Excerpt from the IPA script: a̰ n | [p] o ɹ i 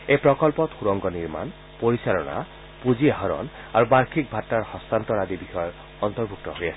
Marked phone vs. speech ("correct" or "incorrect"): correct